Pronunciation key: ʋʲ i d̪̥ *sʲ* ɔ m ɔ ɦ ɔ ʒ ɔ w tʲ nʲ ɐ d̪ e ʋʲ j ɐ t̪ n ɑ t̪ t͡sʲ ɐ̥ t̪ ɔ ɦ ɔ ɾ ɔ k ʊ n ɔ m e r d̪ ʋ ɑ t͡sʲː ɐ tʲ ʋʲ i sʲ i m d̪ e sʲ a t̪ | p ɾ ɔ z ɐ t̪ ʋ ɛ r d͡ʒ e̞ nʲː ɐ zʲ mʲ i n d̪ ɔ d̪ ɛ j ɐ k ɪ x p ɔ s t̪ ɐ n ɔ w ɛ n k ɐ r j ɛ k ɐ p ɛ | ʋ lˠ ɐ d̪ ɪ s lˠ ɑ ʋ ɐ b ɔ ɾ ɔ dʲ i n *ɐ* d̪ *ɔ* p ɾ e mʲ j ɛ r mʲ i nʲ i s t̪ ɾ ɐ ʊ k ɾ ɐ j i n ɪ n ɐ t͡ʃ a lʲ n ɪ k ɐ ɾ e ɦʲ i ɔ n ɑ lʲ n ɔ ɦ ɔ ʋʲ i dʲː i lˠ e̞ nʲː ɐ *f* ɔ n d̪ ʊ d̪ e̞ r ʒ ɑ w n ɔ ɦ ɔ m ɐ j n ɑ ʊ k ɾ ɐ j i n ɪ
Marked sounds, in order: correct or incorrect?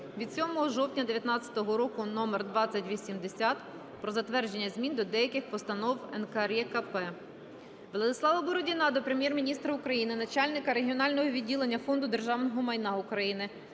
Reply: correct, incorrect: ɑ, correct, correct

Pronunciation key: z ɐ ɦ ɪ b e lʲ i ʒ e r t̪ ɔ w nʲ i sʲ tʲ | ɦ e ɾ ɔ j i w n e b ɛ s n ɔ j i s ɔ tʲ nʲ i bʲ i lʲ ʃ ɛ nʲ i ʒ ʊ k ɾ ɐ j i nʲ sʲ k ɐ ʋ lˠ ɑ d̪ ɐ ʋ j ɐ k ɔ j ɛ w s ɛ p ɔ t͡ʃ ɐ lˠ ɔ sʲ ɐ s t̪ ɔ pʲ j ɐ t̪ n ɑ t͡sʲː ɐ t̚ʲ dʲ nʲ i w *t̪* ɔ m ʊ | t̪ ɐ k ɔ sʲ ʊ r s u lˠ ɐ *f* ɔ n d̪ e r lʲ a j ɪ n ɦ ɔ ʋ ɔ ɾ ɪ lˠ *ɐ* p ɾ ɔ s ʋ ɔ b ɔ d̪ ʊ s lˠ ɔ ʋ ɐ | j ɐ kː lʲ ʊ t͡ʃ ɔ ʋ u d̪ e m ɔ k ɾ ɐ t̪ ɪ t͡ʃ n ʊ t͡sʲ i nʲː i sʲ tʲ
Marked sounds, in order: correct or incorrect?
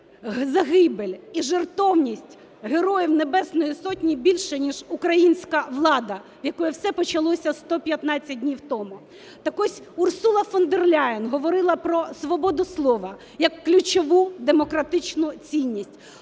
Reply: correct, correct, correct

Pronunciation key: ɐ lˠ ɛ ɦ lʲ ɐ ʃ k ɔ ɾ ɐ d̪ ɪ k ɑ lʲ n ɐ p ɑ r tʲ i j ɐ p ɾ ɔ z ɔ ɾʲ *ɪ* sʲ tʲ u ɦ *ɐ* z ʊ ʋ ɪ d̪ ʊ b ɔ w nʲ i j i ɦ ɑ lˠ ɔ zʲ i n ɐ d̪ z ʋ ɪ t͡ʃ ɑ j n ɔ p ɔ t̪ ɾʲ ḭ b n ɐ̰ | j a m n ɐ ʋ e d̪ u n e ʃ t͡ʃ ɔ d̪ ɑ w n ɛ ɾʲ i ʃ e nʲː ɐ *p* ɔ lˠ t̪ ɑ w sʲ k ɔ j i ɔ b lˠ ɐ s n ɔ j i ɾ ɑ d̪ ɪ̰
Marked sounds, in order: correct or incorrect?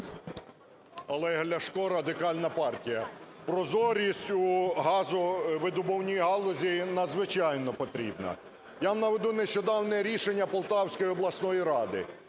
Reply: incorrect: i, incorrect: ɑ, correct

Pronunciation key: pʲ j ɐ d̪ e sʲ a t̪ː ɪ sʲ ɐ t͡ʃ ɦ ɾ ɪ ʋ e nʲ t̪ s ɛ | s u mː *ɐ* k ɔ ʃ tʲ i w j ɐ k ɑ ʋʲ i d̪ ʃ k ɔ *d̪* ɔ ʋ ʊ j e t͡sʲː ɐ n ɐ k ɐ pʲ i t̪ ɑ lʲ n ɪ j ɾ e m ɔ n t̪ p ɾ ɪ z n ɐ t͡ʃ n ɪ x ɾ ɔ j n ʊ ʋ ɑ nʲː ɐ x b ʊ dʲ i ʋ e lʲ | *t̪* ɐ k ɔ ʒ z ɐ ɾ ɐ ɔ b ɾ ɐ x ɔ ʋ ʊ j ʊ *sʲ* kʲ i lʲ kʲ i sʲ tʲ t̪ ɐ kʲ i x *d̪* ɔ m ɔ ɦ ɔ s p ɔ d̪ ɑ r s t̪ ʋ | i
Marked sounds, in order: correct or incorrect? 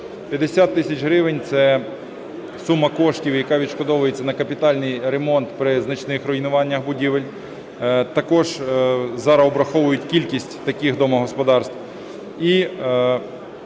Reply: correct, correct, correct, incorrect: tʲ, correct

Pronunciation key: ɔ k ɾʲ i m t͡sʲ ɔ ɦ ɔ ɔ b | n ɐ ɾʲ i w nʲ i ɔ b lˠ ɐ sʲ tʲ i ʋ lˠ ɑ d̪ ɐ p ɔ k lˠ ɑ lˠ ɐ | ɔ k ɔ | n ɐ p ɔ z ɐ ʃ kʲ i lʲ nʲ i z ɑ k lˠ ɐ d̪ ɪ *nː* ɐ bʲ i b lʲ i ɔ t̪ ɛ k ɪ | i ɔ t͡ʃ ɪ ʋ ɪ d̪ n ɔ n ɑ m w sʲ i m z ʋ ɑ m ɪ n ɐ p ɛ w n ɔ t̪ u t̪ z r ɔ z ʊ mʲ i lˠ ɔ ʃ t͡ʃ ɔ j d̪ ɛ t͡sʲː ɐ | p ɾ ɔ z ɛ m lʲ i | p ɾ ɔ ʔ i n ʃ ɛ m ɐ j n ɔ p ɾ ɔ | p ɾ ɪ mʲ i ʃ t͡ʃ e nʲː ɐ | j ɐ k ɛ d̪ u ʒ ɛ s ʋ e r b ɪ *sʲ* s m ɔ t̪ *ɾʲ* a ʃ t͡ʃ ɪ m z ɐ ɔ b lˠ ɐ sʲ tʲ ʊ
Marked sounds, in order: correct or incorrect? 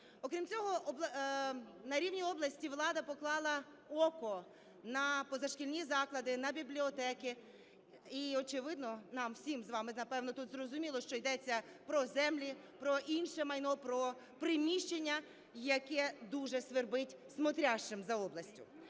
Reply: incorrect: n, incorrect: tʲ, correct

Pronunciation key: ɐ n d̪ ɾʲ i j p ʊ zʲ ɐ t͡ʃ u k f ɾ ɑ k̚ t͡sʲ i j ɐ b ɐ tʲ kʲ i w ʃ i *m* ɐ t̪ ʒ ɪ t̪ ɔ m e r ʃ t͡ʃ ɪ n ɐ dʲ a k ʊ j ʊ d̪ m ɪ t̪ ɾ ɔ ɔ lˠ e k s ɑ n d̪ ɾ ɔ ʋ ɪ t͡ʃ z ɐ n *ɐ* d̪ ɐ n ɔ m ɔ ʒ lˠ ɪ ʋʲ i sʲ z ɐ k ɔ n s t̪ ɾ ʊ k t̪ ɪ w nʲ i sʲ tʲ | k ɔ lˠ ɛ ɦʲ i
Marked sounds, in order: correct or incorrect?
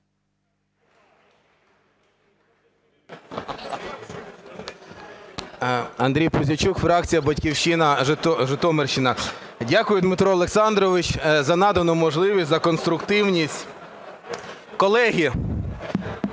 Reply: incorrect: n, incorrect: ɑ

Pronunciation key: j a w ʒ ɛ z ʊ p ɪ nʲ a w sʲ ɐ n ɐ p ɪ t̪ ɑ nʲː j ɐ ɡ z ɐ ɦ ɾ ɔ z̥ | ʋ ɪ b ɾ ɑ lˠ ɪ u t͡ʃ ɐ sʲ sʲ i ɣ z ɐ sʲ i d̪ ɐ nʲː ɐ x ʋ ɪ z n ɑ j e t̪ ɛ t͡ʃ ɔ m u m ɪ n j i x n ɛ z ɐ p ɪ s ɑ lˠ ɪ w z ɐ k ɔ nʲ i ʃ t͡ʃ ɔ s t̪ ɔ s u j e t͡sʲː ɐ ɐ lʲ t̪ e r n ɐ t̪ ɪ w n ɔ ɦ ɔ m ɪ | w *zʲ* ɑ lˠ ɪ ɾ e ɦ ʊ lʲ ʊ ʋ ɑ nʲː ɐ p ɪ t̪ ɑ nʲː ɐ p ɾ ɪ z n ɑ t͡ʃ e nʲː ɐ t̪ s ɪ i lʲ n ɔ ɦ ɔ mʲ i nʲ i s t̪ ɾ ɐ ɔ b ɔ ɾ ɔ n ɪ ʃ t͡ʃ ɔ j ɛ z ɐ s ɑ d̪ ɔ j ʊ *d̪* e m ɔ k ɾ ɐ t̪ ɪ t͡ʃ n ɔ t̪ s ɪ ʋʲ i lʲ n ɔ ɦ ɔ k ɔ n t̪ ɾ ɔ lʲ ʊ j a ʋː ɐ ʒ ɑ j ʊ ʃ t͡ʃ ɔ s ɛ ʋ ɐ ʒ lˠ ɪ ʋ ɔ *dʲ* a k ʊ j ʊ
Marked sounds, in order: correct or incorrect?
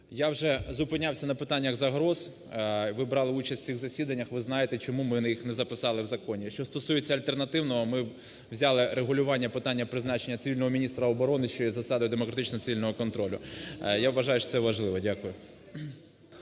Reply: correct, correct, correct

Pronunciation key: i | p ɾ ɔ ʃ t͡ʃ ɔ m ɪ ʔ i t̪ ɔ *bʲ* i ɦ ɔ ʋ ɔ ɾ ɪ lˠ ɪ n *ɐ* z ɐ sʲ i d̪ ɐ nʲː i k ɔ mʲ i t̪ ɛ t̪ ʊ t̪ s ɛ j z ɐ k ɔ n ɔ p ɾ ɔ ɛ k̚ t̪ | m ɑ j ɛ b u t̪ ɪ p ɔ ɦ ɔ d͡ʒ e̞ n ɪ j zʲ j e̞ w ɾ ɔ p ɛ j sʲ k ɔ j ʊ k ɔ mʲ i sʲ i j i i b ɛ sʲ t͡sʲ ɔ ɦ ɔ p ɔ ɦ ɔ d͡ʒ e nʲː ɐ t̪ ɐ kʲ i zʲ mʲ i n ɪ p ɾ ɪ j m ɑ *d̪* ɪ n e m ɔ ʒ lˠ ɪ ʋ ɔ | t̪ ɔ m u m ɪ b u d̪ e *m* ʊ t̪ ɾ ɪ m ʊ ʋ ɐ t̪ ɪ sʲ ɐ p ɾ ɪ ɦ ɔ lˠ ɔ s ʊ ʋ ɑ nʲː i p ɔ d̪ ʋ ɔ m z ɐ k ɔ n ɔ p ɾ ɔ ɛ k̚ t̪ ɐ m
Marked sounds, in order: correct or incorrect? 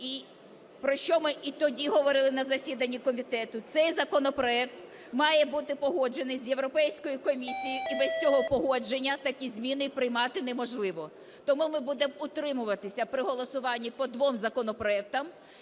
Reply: incorrect: dʲ, correct, incorrect: t̪, correct

